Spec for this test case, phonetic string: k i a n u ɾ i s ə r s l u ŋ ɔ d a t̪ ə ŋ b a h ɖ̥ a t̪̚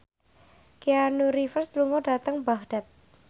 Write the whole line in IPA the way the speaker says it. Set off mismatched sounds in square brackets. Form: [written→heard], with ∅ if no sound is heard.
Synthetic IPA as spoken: k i a n u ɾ i [s→f] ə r s l u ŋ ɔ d a t̪ ə ŋ b a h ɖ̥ a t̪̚